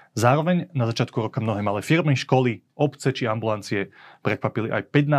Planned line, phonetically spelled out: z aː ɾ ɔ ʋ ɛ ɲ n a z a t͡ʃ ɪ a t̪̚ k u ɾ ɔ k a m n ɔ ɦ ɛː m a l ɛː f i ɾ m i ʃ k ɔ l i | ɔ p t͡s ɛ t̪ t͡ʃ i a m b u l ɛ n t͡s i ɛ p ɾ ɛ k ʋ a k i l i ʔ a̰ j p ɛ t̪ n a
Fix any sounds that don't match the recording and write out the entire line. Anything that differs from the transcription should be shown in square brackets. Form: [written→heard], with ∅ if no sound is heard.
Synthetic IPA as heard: z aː ɾ ɔ ʋ ɛ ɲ n a z a t͡ʃ ɪ a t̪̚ k u ɾ ɔ k a m n ɔ ɦ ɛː m a l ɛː f i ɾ m i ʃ k ɔ l i | ɔ p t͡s ɛ [t̪→∅] t͡ʃ i a m b u l [ɛ→a] n t͡s i ɛ p ɾ ɛ k ʋ a [k→p] i l i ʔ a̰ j p ɛ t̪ n a